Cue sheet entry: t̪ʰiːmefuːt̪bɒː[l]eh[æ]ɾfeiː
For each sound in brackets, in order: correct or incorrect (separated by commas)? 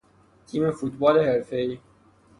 correct, incorrect